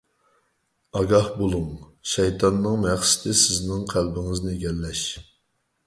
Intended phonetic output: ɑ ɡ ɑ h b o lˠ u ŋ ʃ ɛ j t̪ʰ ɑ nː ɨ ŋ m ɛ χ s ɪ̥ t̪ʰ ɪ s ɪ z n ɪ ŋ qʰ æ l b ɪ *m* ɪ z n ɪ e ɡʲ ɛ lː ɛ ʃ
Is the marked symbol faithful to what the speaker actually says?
no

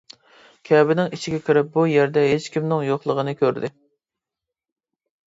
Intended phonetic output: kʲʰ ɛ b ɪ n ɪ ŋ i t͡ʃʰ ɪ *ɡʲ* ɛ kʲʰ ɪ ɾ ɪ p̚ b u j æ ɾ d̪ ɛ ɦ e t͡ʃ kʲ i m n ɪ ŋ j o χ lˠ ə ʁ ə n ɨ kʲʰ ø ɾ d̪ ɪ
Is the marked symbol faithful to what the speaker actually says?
yes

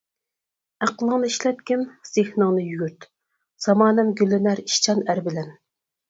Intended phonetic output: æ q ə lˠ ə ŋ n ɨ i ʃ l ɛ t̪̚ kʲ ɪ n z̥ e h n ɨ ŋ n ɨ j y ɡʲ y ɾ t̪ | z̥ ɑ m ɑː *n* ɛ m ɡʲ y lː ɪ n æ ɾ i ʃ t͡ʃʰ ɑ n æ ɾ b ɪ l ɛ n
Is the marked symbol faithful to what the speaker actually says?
yes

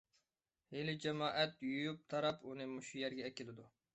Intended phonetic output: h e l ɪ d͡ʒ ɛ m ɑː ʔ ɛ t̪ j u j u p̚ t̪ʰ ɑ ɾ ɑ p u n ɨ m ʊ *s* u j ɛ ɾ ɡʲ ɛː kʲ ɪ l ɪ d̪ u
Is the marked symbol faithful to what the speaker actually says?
no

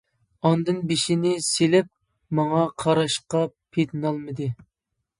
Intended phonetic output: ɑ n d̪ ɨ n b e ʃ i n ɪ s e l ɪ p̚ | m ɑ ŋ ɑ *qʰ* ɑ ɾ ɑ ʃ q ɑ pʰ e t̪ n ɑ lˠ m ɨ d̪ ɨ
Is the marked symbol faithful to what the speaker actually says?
yes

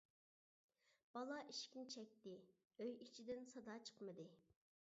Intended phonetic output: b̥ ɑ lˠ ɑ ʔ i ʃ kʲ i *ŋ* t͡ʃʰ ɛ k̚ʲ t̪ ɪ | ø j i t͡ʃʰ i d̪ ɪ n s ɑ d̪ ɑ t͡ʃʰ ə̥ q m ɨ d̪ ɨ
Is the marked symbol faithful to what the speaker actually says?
no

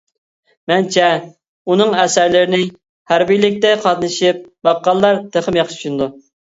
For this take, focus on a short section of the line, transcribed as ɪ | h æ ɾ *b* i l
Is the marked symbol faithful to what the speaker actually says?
yes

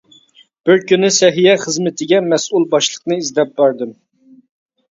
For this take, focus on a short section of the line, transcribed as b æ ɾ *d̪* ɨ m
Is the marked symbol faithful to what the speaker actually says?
yes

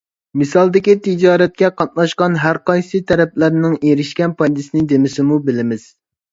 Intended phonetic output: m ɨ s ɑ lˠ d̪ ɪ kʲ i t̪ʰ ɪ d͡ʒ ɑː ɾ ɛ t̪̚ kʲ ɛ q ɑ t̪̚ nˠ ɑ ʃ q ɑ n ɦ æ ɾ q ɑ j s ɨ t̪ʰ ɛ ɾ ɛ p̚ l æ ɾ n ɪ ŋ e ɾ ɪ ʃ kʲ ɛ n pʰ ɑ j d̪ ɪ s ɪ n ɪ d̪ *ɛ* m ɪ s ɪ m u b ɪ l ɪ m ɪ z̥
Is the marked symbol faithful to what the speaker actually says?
no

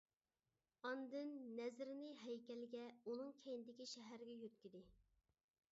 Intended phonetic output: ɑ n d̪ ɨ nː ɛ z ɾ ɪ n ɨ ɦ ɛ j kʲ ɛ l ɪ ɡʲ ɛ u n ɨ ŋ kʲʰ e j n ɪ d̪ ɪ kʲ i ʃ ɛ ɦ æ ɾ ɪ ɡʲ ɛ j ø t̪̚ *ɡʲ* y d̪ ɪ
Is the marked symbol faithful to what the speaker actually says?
no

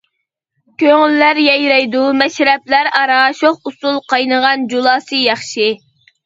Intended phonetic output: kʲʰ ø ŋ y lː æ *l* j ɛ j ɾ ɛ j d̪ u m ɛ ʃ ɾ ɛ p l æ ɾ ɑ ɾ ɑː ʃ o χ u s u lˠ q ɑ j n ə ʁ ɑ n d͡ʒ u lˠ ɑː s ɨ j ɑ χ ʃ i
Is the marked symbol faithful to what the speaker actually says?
no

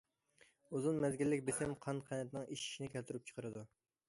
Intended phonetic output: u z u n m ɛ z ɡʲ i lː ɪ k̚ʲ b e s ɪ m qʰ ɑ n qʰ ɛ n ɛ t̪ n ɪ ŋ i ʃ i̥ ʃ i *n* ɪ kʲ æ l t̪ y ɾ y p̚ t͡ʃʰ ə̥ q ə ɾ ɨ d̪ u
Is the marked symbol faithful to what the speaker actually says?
yes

